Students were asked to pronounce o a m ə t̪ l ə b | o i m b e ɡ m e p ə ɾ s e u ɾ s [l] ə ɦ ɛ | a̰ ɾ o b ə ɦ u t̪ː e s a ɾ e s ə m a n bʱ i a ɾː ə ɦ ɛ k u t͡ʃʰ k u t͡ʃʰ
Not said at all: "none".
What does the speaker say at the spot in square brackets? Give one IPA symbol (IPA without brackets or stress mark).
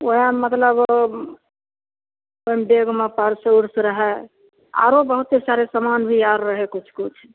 ɾ